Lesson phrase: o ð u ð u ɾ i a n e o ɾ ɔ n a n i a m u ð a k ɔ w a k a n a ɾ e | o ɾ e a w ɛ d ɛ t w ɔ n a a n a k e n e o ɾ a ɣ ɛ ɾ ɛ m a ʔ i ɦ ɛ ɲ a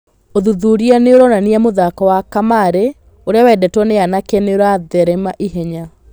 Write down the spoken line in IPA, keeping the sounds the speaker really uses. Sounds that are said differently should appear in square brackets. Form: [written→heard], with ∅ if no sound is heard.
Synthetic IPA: o ð u ð u ɾ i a n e o ɾ ɔ n a n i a m [u→o] ð a k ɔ w a k a [n→m] a ɾ e | o ɾ e a w ɛ d ɛ t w ɔ n [a→e] a n a k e n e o ɾ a [ɣ→ð] ɛ ɾ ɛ m a ʔ i ɦ ɛ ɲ a